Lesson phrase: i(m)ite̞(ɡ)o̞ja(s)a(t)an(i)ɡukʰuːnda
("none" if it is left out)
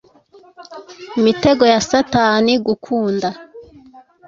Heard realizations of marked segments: m, ɡ, s, t, i

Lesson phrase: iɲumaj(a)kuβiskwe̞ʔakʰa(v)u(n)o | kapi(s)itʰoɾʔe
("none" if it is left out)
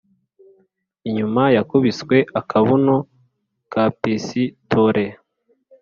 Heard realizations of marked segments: a, β, n, s

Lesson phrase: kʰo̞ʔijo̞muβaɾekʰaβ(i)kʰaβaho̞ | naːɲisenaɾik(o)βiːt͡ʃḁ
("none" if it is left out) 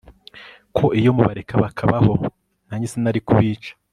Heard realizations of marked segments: a, u

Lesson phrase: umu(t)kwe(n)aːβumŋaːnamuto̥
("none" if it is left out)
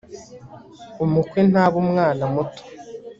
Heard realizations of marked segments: none, n

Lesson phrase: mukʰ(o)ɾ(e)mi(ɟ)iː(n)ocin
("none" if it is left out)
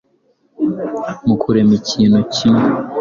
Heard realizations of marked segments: u, e, c, n

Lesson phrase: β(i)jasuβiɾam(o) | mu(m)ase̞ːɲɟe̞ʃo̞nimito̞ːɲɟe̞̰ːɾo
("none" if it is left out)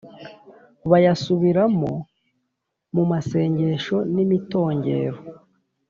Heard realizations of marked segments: a, o, m

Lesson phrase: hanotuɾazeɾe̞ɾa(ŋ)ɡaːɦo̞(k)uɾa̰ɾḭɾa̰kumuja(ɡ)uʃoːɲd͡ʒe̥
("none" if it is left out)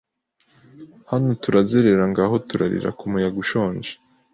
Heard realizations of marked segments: ŋ, t, ɡ

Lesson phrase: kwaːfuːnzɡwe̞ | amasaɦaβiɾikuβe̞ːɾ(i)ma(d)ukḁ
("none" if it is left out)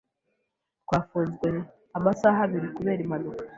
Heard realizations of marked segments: i, n

